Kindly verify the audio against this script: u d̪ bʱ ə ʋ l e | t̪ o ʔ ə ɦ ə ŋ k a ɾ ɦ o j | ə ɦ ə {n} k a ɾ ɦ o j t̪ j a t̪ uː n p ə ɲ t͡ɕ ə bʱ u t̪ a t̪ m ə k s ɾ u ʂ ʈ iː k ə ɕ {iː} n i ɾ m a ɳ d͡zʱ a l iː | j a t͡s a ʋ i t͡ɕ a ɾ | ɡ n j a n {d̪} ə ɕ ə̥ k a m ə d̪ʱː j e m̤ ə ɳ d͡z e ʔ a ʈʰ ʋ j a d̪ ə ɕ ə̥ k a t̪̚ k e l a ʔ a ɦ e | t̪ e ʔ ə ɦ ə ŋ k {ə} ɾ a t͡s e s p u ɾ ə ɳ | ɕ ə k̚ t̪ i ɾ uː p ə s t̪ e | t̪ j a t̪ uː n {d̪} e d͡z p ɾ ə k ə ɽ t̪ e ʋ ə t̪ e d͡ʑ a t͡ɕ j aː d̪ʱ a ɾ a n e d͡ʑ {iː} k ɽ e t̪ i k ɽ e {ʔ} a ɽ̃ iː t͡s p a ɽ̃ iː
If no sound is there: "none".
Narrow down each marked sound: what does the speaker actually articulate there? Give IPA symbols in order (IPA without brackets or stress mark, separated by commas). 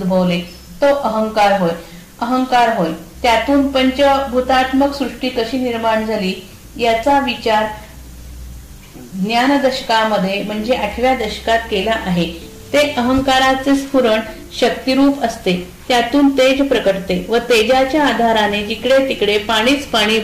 ŋ, iː, d̪, a, t̪, i, p